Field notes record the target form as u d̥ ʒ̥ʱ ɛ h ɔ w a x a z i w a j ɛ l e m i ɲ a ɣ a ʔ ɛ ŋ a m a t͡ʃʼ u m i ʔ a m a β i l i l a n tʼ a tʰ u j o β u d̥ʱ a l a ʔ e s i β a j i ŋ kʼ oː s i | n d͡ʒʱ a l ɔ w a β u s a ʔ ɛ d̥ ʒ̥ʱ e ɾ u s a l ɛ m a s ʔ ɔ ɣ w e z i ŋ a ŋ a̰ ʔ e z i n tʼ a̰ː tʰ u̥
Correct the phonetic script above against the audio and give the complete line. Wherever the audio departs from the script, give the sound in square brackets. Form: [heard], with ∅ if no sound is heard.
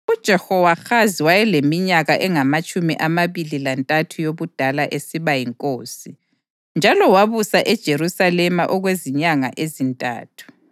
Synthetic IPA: u d̥ ʒ̥ʱ ɛ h ɔ w a x a z i w a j ɛ l e m i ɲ a ɣ a ʔ ɛ ŋ a m a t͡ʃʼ u m i ʔ a m a β i l i l a n tʼ a tʰ u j o β u d̥ʱ a l a ʔ e s i β a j i ŋ kʼ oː s i | n d͡ʒʱ a l ɔ w a β u s a ʔ ɛ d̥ ʒ̥ʱ e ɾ u s a l ɛ m a [∅] ʔ ɔ ɣ w e z i [ɲ] a ŋ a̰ ʔ e z i n tʼ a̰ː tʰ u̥